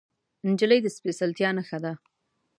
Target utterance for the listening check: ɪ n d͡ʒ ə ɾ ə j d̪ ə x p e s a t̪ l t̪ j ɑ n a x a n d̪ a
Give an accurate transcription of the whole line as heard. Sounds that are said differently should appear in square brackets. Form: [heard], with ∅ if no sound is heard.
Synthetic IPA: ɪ n d͡ʒ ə [l] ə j d̪ ə [s] p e s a [∅] l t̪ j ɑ n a x a [∅] d̪ a